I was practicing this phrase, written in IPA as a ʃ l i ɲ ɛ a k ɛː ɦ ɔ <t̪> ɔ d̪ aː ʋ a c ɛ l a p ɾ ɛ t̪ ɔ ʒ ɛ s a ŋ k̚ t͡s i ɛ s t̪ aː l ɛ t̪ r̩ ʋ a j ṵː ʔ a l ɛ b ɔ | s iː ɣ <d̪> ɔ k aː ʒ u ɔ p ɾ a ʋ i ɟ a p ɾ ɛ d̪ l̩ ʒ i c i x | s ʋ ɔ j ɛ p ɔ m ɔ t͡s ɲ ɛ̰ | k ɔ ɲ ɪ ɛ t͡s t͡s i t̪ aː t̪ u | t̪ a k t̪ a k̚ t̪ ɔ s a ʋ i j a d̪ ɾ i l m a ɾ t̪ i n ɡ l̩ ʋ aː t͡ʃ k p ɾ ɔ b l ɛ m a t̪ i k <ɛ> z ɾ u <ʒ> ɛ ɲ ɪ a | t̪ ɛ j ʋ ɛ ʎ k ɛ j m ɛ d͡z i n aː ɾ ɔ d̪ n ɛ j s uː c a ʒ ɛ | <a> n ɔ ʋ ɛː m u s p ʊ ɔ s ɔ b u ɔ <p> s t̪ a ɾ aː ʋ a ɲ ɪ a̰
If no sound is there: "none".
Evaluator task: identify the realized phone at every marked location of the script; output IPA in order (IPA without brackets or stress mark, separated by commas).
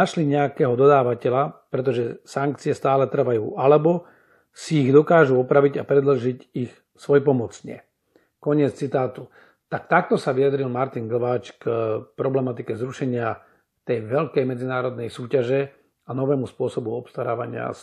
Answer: d̪, d̪, ɛ, ʃ, a, p